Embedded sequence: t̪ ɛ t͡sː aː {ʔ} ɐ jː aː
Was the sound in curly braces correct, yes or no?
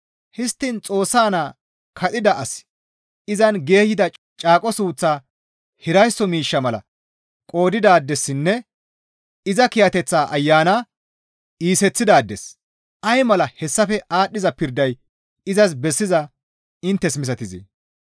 yes